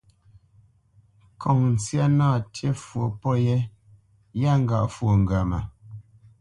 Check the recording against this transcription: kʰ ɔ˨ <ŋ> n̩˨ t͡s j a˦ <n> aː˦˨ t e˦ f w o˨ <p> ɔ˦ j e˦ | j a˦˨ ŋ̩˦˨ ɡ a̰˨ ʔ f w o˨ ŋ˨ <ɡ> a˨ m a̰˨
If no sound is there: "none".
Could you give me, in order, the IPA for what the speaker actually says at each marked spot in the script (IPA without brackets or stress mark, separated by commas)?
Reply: ŋ, n, p, ɡ